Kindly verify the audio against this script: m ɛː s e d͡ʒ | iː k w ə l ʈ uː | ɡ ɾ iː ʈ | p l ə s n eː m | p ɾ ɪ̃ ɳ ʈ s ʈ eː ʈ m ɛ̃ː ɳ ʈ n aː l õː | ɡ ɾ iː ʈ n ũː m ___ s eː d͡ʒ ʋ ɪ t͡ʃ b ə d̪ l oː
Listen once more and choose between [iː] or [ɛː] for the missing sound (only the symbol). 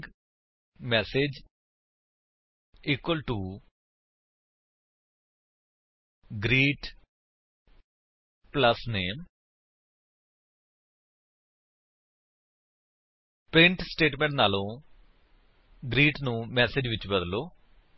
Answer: ɛː